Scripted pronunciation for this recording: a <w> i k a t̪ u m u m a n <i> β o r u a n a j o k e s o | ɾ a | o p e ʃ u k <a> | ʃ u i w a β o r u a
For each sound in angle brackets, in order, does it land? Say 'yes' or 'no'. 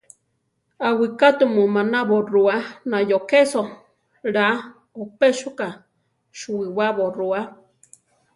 yes, no, yes

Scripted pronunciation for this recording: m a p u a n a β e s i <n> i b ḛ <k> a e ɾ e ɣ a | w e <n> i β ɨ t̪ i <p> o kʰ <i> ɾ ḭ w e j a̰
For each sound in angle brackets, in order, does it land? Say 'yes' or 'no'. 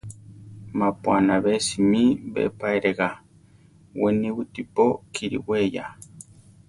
no, no, yes, yes, yes

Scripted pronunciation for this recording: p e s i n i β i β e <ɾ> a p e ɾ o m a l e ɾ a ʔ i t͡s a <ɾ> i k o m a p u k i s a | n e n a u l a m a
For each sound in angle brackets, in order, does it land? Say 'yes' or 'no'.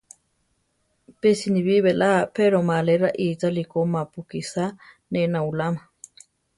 no, no

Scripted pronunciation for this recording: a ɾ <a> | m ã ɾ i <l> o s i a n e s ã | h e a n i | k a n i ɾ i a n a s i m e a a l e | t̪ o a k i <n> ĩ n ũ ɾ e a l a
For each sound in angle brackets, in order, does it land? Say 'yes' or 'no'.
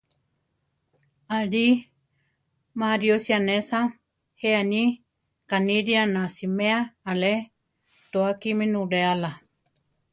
no, no, no

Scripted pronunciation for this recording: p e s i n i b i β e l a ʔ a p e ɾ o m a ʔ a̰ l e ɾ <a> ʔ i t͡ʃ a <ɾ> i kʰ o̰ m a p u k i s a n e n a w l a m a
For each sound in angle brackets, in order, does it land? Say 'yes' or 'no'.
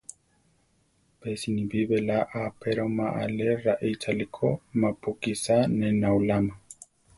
yes, no

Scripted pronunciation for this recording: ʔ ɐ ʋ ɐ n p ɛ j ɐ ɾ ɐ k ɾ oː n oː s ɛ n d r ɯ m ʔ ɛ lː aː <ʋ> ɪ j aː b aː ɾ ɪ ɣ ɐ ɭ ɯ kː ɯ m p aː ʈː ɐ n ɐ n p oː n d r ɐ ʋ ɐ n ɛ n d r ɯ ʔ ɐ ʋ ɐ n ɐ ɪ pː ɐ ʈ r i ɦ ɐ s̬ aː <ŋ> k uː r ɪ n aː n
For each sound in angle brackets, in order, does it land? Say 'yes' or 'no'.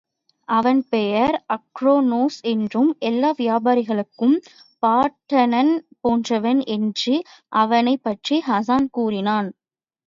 yes, no

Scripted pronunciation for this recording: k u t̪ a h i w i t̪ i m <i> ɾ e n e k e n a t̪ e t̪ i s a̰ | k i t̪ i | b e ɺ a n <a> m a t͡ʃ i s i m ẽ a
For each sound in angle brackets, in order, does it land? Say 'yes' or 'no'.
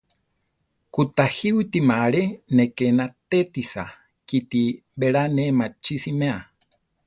no, no

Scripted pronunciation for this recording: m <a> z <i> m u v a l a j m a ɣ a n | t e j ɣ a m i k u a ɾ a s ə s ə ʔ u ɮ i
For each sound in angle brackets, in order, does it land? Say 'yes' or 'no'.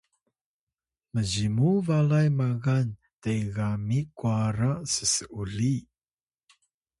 no, yes

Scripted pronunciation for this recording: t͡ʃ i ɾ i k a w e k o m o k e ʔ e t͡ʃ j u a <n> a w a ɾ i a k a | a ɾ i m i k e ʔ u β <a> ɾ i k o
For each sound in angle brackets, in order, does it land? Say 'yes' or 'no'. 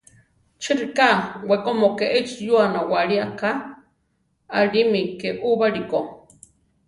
yes, yes

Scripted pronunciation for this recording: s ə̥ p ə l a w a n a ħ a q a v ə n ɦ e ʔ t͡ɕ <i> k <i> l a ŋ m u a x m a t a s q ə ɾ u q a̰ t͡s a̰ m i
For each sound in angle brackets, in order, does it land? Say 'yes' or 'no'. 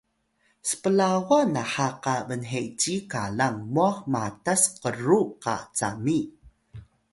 yes, no

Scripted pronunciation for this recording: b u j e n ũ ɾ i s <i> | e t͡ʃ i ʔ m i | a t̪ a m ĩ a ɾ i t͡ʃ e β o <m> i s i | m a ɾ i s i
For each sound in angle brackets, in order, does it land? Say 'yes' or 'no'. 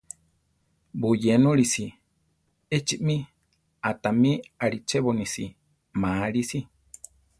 yes, no

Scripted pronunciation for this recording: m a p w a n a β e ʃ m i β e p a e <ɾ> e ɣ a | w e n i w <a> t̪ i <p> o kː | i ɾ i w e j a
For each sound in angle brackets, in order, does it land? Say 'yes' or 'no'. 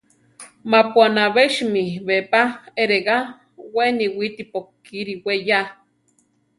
yes, no, yes

